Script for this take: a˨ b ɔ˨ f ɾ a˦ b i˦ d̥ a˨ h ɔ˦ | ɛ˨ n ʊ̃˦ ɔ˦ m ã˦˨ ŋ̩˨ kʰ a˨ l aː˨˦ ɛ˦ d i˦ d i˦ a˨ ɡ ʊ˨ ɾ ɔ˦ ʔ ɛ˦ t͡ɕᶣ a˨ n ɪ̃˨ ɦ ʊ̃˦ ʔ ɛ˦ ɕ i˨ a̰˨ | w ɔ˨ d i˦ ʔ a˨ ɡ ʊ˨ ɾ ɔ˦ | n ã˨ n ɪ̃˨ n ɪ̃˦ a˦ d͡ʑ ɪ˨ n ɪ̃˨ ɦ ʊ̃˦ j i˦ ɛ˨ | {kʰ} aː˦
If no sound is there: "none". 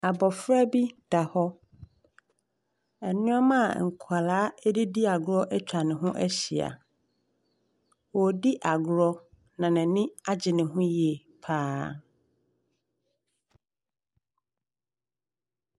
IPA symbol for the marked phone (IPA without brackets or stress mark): pʰ